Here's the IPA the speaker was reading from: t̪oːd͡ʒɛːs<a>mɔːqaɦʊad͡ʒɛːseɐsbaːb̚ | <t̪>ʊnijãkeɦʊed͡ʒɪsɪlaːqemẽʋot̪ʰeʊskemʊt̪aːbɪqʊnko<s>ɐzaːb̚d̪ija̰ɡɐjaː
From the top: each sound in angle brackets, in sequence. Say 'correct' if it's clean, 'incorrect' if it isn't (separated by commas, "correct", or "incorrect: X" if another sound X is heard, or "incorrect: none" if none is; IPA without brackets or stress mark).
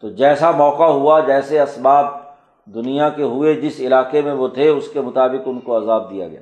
correct, incorrect: d̪, incorrect: none